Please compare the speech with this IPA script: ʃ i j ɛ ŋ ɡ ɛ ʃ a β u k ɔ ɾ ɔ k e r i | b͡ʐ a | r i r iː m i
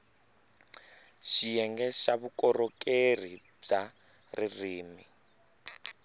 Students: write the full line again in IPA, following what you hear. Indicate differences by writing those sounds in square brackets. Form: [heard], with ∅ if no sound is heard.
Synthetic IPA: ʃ i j ɛ ŋ ɡ ɛ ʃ a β u k ɔ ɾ ɔ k e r i | b͡ʐ a | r i r iː m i